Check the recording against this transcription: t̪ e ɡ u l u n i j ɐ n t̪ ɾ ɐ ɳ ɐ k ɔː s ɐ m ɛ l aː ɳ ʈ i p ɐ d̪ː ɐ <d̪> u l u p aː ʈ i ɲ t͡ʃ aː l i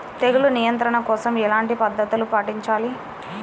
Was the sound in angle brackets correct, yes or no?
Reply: no